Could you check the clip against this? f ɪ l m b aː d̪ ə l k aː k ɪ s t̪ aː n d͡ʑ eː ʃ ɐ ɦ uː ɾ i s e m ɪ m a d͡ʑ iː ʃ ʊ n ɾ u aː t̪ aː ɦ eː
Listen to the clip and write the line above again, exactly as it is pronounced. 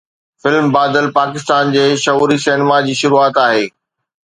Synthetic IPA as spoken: f ɪ l m b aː d̪ ə l p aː k ɪ s t̪ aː n d͡ʑ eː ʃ ɐ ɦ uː ɾ i s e n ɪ m a d͡ʑ iː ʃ ʊ ɾ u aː t̪ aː ɦ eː

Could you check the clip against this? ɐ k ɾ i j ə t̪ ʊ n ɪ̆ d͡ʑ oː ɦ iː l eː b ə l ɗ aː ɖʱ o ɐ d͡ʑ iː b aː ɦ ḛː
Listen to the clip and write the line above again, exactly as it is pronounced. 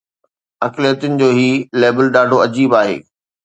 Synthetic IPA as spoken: ɐ k l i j ə t̪ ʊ n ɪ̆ d͡ʑ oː ɦ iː l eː b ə l ɗ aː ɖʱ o ɐ d͡ʑ iː b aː ɦ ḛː

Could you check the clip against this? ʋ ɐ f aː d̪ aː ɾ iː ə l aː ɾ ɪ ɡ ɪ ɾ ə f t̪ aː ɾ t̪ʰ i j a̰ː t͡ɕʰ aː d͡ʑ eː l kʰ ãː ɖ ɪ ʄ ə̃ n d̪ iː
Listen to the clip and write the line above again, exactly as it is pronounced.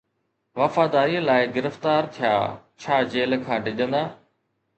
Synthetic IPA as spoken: ʋ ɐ f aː d̪ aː ɾ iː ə l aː ɪ ɡ ɪ ɾ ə f t̪ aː ɾ t̪ʰ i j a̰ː t͡ɕʰ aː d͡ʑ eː l kʰ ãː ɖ ɪ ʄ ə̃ n d̪ aː

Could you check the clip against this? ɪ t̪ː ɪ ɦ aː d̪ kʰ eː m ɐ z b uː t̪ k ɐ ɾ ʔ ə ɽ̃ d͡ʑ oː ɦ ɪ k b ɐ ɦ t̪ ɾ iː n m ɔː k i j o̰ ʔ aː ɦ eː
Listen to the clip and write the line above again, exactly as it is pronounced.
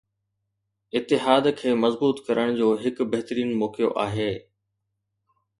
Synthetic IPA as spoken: ɪ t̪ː ɪ ɦ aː d̪ kʰ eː m ɐ z b uː t̪ k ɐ ɾ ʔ ə ɽ̃ d͡ʑ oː ɦ ɪ k b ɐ ɦ t̪ ɾ iː n m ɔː k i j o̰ ʔ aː ɦ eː

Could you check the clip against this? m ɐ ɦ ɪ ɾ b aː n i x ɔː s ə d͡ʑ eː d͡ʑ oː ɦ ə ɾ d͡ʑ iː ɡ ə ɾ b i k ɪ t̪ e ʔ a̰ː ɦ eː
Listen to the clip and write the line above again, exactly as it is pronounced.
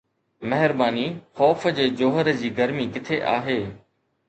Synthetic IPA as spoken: m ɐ ɦ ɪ ɾ b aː n i x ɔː f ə d͡ʑ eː d͡ʑ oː ɦ ə ɾ d͡ʑ iː ɡ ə ɾ m i k ɪ t̪ʰ e ʔ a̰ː ɦ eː

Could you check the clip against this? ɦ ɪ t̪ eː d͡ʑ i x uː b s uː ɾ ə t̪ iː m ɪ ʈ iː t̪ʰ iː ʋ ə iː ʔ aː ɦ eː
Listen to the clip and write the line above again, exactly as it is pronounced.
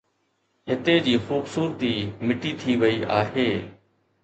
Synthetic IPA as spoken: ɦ ɪ t̪ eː d͡ʑ iː x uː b s uː ɾ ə t̪ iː m ɪ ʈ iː t̪ʰ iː ʋ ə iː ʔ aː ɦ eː

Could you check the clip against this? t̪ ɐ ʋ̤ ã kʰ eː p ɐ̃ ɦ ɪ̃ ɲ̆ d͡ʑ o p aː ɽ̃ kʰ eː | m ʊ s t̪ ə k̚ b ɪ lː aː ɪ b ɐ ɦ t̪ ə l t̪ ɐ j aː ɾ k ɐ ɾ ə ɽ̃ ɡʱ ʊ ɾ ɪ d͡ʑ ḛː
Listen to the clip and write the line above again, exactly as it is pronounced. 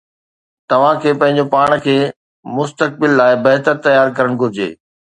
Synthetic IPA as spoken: t̪ ɐ ʋ̤ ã kʰ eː p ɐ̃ ɦ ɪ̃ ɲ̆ d͡ʑ o p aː ɽ̃ kʰ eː | m ʊ s t̪ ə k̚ b ɪ lː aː ɪ b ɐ ɦ t̪ ə ɾ t̪ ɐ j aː ɾ k ɐ ɾ ə ɽ̃ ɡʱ ʊ ɾ ɪ d͡ʑ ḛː

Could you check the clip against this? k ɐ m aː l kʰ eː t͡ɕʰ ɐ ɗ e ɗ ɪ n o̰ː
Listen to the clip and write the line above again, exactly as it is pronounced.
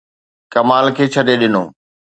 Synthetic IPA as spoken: k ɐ m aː l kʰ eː t͡ɕʰ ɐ ɗ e ɗ ɪ n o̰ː

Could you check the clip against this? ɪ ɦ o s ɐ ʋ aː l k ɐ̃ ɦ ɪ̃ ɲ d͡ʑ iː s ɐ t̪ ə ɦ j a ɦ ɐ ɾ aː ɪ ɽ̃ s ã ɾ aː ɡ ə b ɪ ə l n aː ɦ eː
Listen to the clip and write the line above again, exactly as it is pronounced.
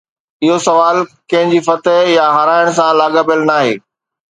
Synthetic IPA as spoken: ɪ ɦ o s ɐ ʋ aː l k ɐ̃ ɦ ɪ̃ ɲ d͡ʑ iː f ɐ t̪ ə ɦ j a ɦ ɐ ɾ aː ɪ ɽ̃ s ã l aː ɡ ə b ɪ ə l n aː ɦ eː

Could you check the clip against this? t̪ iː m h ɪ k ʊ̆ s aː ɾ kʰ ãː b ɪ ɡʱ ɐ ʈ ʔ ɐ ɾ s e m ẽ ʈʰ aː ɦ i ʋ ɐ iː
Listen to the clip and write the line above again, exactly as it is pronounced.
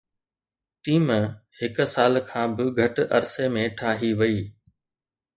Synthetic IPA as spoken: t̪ iː m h ɪ k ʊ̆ s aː l kʰ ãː b ɪ ɡʱ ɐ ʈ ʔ ɐ ɾ s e m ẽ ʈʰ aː ɦ i ʋ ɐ iː

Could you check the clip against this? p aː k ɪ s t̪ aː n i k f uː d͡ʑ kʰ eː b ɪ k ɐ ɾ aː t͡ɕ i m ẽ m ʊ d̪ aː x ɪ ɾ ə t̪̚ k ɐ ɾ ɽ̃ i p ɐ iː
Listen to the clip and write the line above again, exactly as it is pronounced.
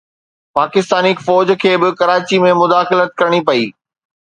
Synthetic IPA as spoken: p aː k ɪ s t̪ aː n i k f ɔː d͡ʑ kʰ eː b ɪ k ɐ ɾ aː t͡ɕ i m ẽ m ʊ d̪ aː x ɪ l ə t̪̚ k ɐ ɾ ɽ̃ i p ɐ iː

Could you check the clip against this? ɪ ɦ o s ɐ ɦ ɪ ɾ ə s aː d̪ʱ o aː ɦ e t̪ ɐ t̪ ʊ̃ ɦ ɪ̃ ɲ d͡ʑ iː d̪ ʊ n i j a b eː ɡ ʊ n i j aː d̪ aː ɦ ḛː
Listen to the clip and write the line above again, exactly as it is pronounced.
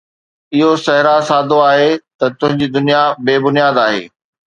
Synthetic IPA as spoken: ɪ ɦ o s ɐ ɦ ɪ ɾ a s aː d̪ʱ o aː ɦ e t̪ ɐ t̪ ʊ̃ ɦ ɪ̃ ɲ d͡ʑ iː d̪ ʊ n i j a b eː b ʊ n i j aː d̪ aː ɦ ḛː

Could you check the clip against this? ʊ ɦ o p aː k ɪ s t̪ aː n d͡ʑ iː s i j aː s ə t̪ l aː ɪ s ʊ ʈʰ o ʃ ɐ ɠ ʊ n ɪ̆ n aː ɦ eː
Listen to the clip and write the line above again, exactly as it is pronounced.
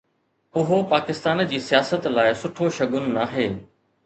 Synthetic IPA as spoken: ʊ ɦ o p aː k ɪ s t̪ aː n d͡ʑ iː s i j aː s ə t̪ l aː ɪ s ʊ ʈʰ o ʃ ɐ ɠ ʊ n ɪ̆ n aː ɦ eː

